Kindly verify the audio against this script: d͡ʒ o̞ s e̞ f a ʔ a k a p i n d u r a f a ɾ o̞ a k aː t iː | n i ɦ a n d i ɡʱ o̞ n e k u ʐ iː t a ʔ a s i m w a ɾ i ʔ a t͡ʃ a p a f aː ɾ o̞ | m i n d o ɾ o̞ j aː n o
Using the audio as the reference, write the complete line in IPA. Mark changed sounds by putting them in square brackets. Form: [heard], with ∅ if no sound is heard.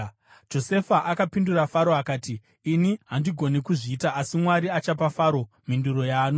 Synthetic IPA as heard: d͡ʒ o̞ s e̞ f a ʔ a k a p i n d u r a f a ɾ o̞ a k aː t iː | n i ɦ a n d i ɡʱ o̞ n e k u ʐ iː t a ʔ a s i m w a ɾ i [∅] a t͡ʃ a p a f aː ɾ o̞ | m i n d [u] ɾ o̞ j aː n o